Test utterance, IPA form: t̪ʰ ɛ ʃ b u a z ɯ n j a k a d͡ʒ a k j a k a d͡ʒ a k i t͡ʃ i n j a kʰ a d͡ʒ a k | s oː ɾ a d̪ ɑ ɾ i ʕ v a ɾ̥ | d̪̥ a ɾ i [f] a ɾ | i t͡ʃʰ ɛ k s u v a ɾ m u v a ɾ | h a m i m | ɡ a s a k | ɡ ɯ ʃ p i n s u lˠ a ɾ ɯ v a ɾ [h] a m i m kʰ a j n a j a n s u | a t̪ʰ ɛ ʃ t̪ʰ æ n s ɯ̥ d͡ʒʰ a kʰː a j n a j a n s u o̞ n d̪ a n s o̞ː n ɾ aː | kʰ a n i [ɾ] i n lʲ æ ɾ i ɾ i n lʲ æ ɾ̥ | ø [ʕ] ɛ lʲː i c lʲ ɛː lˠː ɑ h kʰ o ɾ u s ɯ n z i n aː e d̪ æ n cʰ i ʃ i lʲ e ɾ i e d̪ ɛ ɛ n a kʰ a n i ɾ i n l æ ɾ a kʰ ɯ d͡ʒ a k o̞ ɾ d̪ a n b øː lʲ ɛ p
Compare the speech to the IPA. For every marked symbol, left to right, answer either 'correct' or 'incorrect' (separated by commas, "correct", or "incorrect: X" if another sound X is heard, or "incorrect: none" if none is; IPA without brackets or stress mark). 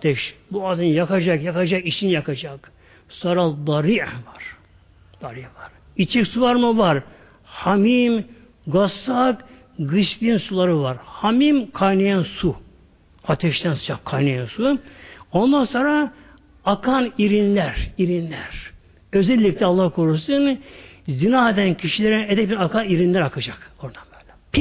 incorrect: v, correct, correct, incorrect: z